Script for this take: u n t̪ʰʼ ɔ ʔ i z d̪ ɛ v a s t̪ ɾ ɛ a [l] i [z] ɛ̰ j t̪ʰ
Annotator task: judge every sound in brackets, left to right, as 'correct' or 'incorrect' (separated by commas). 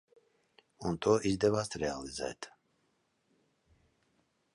correct, correct